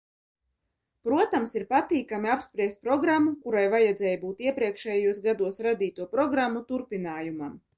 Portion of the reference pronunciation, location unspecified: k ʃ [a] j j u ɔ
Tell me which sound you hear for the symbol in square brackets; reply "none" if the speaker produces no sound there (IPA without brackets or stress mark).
ɛ